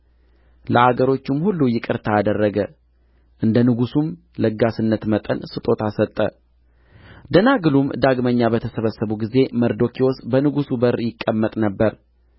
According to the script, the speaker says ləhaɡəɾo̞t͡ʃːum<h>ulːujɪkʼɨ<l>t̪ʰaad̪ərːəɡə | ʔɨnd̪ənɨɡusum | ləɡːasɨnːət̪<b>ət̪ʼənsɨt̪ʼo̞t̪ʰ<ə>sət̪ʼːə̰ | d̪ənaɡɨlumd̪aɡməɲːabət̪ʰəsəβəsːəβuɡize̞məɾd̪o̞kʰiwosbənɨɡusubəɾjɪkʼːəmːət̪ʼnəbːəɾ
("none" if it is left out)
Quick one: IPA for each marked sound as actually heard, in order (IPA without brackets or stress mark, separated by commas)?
h, ɾ, m, a